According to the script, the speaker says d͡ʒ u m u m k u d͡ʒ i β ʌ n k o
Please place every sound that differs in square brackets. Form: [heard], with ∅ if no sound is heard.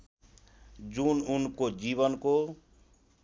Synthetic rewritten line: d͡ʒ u [n] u [n] k [o] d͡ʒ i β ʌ n k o